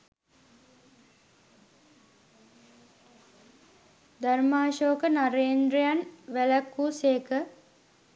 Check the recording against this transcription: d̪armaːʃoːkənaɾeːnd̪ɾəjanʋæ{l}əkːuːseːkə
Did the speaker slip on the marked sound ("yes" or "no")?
no